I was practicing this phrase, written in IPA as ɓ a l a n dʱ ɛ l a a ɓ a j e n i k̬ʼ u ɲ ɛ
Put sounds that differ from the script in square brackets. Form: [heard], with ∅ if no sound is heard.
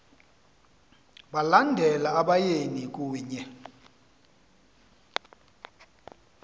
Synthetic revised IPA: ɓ a l a n dʱ ɛ l a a ɓ a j e n i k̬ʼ [uː] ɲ ɛ